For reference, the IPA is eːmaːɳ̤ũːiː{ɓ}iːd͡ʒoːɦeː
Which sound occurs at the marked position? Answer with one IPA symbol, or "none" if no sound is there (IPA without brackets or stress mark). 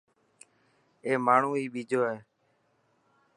ɓ